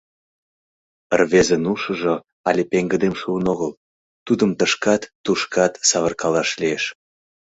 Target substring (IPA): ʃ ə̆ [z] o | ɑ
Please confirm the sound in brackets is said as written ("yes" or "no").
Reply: no